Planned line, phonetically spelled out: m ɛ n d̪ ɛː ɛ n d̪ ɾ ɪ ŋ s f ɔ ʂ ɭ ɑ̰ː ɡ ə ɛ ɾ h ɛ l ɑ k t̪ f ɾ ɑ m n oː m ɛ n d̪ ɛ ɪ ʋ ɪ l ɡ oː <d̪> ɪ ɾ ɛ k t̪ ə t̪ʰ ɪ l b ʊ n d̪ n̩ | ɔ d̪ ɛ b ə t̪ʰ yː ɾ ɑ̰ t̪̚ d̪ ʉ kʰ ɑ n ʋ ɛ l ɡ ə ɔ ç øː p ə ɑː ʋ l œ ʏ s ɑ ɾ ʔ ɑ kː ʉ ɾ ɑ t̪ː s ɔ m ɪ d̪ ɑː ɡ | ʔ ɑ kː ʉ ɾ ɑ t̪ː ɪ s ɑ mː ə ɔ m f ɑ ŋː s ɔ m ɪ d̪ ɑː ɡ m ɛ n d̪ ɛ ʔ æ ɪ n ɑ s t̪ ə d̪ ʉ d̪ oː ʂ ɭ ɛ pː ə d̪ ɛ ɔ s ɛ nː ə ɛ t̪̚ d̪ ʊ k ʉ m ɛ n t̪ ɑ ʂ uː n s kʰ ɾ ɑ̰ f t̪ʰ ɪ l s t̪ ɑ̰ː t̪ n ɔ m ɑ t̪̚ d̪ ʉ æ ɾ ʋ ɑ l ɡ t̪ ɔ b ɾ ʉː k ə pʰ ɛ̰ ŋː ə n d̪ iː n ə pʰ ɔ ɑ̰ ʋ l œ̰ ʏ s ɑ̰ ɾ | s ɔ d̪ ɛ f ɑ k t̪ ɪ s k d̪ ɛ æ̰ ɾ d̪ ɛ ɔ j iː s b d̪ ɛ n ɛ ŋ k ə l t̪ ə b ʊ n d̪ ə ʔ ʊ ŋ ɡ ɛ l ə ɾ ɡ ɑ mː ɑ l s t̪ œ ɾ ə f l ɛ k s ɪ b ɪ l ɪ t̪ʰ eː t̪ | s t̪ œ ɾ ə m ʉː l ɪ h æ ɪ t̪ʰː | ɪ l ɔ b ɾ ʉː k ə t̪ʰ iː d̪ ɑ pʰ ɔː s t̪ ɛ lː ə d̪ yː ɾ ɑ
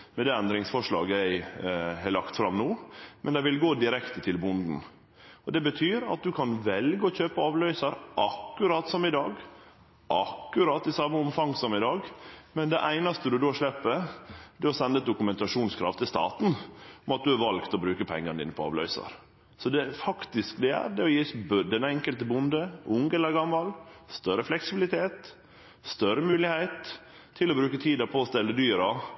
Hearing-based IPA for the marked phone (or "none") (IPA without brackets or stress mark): d̪